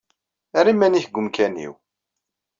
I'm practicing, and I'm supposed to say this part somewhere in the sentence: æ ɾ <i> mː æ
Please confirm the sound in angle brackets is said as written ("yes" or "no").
yes